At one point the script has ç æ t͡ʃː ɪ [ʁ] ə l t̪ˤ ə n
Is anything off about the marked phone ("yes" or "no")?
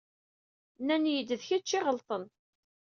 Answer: no